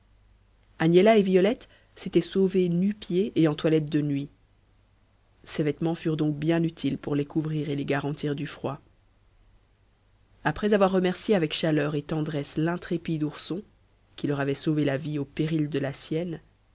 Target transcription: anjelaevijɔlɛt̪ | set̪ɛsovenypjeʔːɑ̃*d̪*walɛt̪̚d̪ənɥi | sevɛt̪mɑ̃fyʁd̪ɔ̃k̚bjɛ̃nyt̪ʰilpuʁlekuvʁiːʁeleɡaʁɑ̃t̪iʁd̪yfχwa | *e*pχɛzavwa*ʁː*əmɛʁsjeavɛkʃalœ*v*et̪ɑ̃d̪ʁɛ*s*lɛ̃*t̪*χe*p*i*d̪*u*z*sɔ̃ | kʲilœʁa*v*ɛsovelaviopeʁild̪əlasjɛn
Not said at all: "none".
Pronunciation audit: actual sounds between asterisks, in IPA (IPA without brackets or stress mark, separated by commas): t̪, a, ʁː, ʁ, s, t̪, p, d̪, ʁ, v